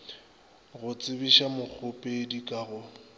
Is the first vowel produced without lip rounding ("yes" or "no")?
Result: no